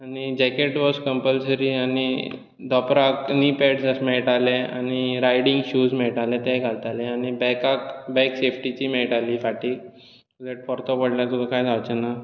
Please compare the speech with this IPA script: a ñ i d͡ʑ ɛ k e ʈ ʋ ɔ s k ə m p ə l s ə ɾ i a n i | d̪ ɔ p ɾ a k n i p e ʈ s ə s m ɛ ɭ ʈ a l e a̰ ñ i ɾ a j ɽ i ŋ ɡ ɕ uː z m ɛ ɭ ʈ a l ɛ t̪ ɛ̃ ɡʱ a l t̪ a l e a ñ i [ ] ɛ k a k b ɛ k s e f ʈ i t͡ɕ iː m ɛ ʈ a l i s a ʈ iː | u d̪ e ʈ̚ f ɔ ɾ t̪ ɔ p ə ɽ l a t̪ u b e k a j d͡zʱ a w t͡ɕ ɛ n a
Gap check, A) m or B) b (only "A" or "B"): B